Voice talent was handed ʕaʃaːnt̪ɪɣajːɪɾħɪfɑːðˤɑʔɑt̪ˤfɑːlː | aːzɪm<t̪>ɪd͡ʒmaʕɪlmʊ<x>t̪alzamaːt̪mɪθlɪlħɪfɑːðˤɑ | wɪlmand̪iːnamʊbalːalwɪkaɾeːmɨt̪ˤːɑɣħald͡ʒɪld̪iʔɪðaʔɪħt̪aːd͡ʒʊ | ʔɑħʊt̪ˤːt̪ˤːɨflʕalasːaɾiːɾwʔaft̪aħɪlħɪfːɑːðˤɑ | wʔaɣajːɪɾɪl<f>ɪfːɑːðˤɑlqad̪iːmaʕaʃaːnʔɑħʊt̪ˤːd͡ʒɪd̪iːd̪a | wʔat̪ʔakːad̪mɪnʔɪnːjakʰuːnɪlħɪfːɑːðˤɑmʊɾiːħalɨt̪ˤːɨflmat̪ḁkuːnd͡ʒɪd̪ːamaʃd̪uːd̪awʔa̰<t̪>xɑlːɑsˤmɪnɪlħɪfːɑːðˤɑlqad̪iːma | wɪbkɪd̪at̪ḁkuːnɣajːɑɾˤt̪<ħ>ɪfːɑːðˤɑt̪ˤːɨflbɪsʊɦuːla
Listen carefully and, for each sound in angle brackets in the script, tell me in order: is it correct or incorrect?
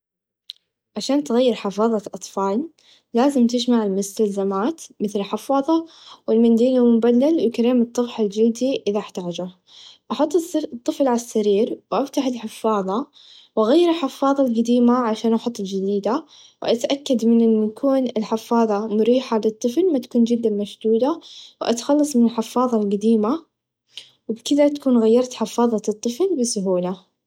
correct, incorrect, incorrect, correct, correct

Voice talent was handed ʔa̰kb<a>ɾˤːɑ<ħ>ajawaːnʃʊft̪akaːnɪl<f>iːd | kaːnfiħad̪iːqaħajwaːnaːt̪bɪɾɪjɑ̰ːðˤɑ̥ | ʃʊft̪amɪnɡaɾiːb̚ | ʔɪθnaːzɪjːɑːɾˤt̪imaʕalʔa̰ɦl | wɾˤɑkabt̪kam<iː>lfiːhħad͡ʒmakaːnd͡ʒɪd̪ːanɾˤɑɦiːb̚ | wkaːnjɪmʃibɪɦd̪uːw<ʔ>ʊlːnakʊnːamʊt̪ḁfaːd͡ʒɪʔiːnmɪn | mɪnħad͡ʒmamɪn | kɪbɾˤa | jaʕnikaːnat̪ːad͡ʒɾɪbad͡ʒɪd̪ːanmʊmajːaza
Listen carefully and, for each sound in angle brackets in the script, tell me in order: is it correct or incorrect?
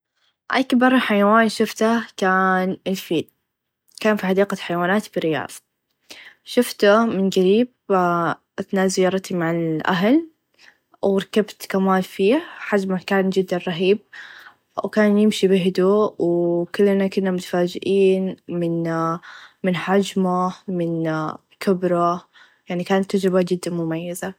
incorrect, correct, correct, incorrect, incorrect

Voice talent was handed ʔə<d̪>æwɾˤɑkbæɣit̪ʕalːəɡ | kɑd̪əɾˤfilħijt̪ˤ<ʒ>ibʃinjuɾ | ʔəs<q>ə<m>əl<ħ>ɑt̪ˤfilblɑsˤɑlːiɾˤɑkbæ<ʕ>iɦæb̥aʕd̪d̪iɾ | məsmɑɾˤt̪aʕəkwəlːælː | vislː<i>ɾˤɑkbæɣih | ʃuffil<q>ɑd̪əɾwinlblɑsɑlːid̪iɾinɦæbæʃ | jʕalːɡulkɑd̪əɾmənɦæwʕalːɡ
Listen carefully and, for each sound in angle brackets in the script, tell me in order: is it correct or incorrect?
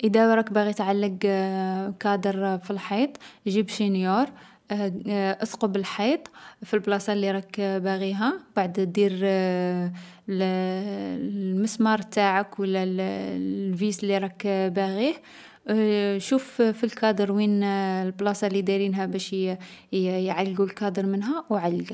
correct, correct, correct, incorrect, correct, incorrect, correct, incorrect

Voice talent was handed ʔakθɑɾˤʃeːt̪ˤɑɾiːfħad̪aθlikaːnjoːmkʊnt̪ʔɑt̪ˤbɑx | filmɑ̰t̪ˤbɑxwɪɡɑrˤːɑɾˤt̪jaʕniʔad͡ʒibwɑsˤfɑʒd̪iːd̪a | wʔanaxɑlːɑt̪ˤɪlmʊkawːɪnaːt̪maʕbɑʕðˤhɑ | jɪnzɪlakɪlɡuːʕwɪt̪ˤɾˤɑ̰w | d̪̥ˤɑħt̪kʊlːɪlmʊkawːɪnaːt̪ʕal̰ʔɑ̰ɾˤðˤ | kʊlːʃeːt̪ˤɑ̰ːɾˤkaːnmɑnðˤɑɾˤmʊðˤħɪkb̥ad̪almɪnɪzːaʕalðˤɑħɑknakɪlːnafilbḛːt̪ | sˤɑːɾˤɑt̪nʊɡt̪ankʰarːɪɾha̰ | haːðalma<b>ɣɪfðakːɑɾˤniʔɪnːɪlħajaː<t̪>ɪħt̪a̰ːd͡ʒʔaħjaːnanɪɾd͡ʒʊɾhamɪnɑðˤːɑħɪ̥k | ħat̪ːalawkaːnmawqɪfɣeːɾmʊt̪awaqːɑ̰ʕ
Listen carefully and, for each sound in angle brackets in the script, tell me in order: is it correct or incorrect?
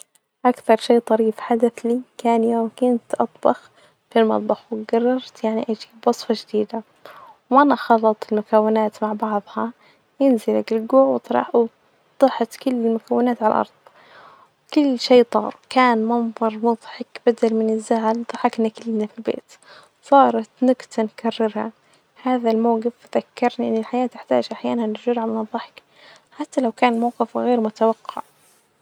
incorrect, correct

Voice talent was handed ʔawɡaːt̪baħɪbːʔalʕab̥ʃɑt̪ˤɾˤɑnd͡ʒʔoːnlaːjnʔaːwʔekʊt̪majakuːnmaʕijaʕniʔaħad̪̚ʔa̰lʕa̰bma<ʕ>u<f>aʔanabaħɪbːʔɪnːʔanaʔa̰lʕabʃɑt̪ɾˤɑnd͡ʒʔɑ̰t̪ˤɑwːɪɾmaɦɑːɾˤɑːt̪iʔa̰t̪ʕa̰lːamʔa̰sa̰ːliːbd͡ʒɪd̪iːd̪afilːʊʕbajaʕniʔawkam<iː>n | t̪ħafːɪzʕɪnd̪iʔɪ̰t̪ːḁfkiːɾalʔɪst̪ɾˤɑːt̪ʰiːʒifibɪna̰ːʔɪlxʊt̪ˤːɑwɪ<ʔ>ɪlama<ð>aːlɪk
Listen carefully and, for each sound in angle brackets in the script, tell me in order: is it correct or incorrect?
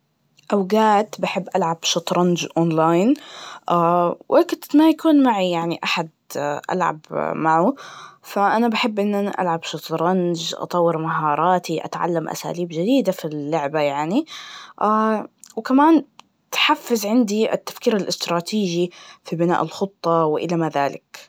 correct, correct, incorrect, correct, correct

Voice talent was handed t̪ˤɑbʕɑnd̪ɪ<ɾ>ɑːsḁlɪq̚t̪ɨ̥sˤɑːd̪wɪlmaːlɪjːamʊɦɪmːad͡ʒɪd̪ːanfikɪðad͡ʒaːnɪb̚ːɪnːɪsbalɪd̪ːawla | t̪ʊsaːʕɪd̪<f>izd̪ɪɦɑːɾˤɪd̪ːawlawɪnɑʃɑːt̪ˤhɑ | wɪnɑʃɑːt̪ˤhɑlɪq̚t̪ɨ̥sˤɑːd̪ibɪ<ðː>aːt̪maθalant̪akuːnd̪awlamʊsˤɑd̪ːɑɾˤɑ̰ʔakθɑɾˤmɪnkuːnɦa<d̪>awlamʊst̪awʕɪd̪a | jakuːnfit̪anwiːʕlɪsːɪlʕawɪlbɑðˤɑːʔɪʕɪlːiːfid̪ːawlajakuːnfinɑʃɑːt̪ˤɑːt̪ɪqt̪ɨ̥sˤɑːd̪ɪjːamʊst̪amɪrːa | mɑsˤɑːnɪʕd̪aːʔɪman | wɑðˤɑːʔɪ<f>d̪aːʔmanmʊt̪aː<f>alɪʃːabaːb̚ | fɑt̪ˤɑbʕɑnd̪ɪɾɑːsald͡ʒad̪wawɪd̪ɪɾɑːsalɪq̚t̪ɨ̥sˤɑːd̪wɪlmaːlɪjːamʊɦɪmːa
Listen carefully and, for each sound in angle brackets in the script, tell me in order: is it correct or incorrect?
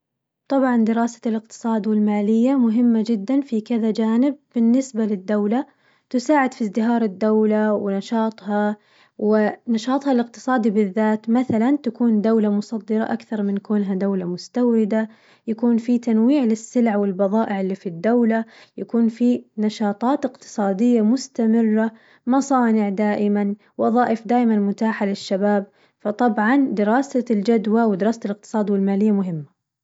correct, correct, correct, correct, correct, incorrect

